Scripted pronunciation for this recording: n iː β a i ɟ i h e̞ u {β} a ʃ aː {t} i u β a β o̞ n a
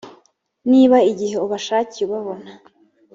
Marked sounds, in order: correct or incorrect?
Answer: correct, incorrect: c

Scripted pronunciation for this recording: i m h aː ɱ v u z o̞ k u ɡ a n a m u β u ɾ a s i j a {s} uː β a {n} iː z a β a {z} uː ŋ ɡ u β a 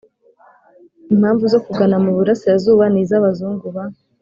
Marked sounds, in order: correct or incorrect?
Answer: incorrect: z, correct, correct

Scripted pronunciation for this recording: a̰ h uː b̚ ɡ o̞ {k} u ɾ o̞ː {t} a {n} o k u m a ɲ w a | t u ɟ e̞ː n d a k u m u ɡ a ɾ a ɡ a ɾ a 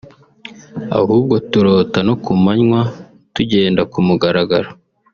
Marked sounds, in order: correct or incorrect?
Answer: incorrect: t, correct, correct

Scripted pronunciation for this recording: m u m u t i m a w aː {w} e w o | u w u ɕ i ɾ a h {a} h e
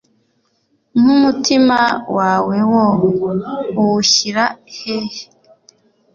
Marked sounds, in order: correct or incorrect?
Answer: correct, incorrect: e

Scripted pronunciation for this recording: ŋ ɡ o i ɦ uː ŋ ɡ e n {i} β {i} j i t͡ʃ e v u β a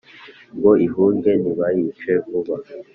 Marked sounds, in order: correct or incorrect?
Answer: correct, incorrect: a

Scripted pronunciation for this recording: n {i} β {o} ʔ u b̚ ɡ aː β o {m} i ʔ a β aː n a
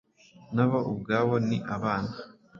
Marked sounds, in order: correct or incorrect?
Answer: incorrect: a, correct, incorrect: n

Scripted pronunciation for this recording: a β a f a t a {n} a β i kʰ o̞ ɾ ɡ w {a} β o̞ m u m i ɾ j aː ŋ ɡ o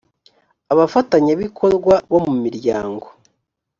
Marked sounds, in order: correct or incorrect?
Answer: incorrect: ɲ, correct

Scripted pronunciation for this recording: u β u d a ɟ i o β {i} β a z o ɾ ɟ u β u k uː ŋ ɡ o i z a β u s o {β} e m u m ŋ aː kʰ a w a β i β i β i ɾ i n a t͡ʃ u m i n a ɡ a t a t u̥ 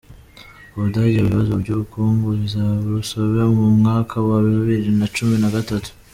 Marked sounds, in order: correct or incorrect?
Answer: correct, correct

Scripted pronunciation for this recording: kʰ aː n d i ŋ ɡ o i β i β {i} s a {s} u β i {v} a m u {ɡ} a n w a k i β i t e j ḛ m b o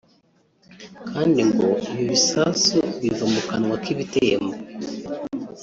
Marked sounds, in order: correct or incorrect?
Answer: correct, correct, correct, incorrect: k

